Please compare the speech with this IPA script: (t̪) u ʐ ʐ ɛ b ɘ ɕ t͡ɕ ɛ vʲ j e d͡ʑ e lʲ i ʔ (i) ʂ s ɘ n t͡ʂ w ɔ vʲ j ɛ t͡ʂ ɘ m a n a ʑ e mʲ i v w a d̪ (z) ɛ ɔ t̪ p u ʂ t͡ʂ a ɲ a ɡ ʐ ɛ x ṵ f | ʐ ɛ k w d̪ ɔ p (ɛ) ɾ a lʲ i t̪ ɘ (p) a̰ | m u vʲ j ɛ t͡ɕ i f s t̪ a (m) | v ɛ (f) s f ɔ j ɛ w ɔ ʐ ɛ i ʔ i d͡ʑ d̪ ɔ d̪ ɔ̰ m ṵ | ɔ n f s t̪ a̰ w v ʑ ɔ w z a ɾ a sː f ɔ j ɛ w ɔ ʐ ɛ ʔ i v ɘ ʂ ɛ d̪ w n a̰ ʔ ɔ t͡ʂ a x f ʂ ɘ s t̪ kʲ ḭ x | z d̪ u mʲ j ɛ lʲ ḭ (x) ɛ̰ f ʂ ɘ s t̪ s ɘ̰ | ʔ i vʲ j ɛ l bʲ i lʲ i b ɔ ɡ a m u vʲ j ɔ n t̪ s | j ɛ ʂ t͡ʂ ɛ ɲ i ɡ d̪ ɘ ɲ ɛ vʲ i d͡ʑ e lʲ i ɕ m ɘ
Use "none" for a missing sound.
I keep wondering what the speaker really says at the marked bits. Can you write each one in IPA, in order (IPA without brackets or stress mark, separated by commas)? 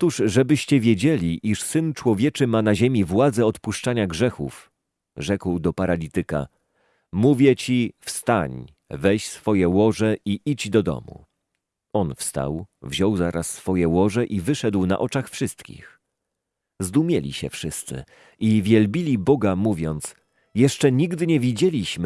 t̪, i, z, a, k, ɲ, ɕ, ɕ